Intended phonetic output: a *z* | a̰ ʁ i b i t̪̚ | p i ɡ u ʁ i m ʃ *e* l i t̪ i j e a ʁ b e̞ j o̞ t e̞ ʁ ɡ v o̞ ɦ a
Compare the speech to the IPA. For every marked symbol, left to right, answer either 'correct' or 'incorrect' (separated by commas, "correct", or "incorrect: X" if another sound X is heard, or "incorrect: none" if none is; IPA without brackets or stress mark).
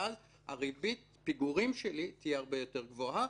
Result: correct, correct